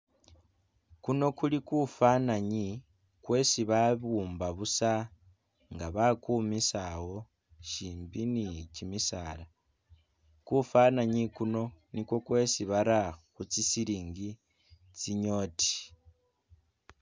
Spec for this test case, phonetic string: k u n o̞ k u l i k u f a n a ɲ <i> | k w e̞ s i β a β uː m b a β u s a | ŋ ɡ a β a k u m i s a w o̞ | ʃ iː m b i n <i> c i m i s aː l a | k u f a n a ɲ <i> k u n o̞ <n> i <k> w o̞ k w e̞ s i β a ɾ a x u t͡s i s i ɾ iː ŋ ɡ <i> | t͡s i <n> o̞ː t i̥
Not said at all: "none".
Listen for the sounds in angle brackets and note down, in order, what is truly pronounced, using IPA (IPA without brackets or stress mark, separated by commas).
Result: i, i, i, n, k, i, ɲ